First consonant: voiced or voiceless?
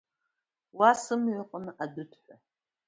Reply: voiced